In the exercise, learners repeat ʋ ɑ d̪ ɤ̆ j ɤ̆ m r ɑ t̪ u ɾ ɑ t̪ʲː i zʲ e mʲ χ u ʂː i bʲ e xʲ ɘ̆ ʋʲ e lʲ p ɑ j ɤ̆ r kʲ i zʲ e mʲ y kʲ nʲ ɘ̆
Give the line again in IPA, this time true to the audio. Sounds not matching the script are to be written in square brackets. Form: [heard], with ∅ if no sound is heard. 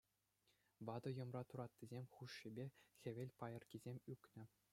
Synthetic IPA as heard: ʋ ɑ d̪ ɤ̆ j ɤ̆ m r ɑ t̪ u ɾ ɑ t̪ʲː i zʲ e mʲ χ u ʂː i bʲ e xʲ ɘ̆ ʋʲ e lʲ p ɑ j ɤ̆ r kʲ i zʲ e mʲ y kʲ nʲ ɘ̆